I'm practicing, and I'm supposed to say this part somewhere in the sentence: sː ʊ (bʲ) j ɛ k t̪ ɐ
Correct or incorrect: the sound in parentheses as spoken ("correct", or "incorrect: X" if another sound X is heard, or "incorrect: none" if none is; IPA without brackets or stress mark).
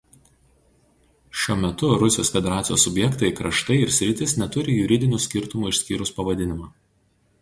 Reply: correct